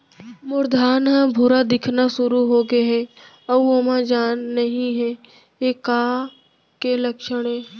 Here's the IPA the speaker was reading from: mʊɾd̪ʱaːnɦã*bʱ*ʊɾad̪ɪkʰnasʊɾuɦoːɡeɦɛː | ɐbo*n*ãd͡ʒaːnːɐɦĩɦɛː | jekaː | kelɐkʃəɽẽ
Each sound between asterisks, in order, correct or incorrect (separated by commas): correct, incorrect